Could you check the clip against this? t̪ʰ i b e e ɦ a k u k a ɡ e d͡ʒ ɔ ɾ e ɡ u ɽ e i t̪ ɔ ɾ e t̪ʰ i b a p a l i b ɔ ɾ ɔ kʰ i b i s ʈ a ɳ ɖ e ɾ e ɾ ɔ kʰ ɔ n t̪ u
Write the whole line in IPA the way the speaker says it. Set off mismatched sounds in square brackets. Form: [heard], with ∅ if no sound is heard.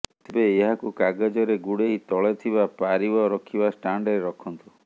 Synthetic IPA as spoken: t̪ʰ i b e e ɦ a k u k a ɡ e d͡ʒ ɔ ɾ e ɡ u ɽ e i t̪ ɔ [ɭ] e t̪ʰ i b a p a [ɾ] i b ɔ ɾ ɔ kʰ i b [a] s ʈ a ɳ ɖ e ɾ e ɾ ɔ kʰ ɔ n t̪ u